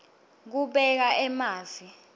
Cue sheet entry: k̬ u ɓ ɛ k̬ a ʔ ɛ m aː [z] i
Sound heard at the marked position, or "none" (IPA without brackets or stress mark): z